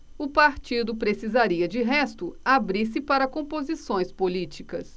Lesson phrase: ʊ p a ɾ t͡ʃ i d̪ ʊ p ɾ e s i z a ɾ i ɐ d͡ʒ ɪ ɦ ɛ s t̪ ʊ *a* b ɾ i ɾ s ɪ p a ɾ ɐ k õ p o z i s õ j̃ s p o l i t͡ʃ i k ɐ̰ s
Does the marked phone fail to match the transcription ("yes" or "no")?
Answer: no